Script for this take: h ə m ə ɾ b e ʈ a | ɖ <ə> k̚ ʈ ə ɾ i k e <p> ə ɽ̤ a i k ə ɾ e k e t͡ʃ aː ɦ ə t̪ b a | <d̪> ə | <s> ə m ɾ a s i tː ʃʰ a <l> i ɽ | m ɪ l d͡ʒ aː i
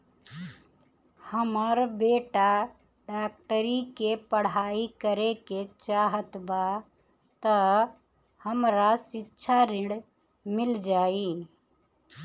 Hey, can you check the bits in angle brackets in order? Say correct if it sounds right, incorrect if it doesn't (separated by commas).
incorrect, correct, incorrect, incorrect, incorrect